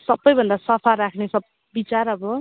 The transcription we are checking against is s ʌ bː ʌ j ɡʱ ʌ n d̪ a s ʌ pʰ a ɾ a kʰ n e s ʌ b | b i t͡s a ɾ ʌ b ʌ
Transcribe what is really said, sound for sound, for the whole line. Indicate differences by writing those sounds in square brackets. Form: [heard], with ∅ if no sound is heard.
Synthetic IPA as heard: s ʌ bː ʌ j [bʱ] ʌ n d̪ a s ʌ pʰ a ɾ a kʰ n e s ʌ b | b i t͡s a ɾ ʌ b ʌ

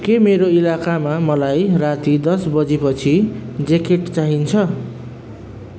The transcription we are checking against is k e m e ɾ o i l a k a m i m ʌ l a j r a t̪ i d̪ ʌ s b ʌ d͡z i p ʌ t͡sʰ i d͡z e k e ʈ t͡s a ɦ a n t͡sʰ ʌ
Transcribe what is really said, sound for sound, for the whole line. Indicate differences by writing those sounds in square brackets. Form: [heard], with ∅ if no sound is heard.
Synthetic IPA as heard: k e m e ɾ o i l a k a m [a] m ʌ l a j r a t̪ i d̪ ʌ s b ʌ d͡z i p ʌ t͡sʰ i d͡z e k e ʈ t͡s a ɦ [i] n t͡sʰ ʌ

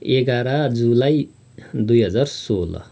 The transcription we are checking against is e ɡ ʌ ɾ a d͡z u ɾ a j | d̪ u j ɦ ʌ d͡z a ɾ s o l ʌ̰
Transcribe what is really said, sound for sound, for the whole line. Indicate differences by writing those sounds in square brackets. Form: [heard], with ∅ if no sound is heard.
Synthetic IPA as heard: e ɡ [a] ɾ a d͡z u [l] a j | d̪ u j ɦ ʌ d͡z a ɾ s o l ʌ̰

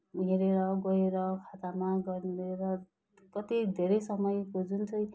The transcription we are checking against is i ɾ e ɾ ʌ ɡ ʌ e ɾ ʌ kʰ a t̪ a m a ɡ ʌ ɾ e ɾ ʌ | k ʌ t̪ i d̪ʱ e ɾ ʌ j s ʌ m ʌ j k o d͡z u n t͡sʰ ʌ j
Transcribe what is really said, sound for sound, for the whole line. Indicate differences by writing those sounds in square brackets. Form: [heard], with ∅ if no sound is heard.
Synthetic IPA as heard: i ɾ e ɾ ʌ ɡ ʌ e ɾ ʌ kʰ a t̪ a m a ɡ ʌ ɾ e ɾ ʌ | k ʌ t̪ i d̪ʱ e ɾ ʌ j s ʌ m ʌ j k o d͡z u n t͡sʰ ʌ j

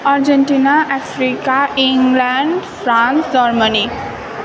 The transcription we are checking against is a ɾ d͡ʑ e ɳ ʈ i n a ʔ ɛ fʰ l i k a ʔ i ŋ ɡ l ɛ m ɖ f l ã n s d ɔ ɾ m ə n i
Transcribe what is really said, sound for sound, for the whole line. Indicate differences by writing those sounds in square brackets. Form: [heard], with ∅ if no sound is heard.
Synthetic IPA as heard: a ɾ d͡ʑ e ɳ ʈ i n a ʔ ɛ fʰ [ɾ] i k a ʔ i ŋ ɡ l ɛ [ɳ] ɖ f [ɾ] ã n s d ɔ ɾ m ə n i

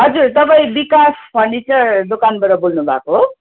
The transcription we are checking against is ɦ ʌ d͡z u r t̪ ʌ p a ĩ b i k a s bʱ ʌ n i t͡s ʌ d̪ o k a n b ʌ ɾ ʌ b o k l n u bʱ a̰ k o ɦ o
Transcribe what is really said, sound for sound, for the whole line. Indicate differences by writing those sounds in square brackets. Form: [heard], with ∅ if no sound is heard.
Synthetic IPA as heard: ɦ ʌ d͡z u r t̪ ʌ p a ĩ b i k a s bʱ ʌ n i t͡s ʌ d̪ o k a n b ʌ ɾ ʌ b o [∅] l n u bʱ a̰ k o ɦ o

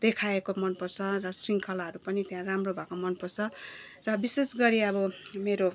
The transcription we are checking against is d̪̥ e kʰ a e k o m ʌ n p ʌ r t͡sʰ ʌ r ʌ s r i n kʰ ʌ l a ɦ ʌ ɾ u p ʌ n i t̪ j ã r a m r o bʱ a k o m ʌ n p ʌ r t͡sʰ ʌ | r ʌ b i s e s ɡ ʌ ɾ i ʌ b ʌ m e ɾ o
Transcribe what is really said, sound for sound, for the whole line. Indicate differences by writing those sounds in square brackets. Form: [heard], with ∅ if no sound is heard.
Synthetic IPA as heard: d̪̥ e kʰ a e k o m ʌ n p ʌ r t͡sʰ ʌ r ʌ s r i [ŋ] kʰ ʌ l a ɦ ʌ ɾ u p ʌ n i t̪ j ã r a m r o bʱ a k o m ʌ n p ʌ r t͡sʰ ʌ | r ʌ b i s e s ɡ ʌ ɾ i ʌ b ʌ m e ɾ o

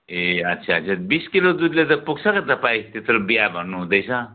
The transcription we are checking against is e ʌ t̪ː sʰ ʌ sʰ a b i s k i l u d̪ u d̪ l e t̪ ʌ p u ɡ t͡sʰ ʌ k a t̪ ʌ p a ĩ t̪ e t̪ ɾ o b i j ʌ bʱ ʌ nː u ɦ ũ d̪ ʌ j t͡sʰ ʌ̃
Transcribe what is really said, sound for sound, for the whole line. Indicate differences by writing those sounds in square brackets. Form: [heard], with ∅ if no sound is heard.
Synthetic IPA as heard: e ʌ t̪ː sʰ [a] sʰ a b i s k i l [o] d̪ u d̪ l e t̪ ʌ p u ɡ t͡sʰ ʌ k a t̪ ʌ p a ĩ t̪ e t̪ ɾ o b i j [a] bʱ ʌ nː u ɦ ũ d̪ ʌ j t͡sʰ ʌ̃

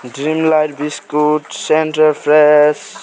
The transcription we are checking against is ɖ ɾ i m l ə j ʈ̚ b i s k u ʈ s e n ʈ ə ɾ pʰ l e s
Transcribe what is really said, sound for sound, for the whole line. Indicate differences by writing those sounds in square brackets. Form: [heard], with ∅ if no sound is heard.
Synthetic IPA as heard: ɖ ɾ i m l [a] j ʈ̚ b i s k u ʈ s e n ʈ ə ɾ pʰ [ɾ] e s

